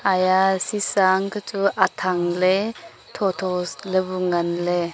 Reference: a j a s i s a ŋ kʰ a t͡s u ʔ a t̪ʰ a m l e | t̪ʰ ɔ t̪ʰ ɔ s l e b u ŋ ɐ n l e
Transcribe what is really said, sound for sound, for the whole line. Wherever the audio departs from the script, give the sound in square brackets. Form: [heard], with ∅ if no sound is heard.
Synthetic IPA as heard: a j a s i s a ŋ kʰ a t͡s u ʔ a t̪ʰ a [ŋ] l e | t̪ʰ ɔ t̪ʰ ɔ s l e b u ŋ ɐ n l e